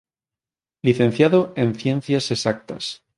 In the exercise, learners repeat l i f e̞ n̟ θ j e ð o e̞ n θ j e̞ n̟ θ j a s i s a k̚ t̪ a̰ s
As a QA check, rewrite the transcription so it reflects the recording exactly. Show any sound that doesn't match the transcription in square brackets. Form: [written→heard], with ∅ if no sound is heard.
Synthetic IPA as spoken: l i [f→θ] e̞ n̟ θ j [e→a] ð o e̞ n θ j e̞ n̟ θ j a s [i→e] s a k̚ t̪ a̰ s